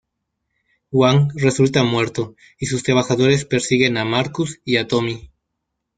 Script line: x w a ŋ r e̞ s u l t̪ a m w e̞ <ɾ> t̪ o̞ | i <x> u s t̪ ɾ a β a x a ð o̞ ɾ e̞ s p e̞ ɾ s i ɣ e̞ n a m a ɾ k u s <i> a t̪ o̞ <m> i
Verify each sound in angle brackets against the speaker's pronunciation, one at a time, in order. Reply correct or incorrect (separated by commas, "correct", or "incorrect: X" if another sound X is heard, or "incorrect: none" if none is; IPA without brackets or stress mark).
correct, incorrect: s, correct, correct